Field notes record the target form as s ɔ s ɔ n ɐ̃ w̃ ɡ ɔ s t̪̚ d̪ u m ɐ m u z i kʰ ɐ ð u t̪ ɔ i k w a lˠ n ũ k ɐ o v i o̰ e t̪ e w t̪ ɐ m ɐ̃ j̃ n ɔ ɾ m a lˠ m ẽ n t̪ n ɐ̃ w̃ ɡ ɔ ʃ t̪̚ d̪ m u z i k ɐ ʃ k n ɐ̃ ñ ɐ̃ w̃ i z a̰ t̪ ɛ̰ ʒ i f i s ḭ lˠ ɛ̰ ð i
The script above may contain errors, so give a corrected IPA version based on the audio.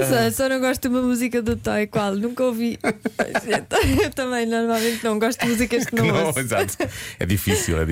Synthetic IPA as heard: s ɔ s ɔ n ɐ̃ w̃ ɡ ɔ ʃ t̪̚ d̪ u m ɐ m u z i k ɐ ð u t̪ ɔ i k w a lˠ n ũ k ɐ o v i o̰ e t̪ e w t̪ ɐ m ɐ̃ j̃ n ɔ ɾ m a lˠ m ẽ n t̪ n ɐ̃ w̃ ɡ ɔ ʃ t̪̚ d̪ m u z i k ɐ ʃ k n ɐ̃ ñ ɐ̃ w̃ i z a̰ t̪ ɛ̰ ð i f i s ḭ lˠ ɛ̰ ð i